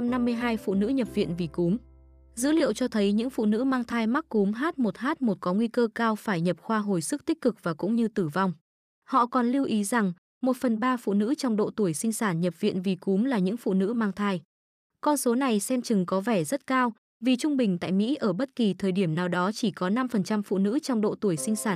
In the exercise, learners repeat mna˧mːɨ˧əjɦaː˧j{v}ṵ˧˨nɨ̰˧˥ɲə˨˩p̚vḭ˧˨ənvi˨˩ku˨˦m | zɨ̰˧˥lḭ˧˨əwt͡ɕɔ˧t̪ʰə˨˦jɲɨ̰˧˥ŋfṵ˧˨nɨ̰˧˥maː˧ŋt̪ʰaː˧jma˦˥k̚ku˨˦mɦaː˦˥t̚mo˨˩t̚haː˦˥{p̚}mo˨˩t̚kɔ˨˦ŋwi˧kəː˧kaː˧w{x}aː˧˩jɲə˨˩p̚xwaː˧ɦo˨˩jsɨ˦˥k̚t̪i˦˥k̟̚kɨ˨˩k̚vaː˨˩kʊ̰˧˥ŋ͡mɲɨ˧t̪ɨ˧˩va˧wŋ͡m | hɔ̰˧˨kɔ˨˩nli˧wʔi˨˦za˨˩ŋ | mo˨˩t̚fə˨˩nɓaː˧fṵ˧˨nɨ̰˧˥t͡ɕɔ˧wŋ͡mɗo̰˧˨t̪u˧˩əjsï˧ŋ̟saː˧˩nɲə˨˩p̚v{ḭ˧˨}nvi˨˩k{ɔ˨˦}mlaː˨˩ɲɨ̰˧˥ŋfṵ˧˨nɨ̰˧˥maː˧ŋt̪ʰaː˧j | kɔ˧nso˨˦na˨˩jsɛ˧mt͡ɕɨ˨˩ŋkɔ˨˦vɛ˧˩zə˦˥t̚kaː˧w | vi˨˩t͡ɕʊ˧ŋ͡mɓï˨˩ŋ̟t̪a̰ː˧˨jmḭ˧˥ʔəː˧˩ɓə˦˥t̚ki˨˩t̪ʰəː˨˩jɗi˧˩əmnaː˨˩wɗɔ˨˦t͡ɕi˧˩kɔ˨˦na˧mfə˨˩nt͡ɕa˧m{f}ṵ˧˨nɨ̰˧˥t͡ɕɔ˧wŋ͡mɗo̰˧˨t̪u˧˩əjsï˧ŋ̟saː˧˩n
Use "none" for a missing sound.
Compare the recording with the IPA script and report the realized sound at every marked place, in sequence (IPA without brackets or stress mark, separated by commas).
f, t̚, f, ḭ˧˨, u˨˦, f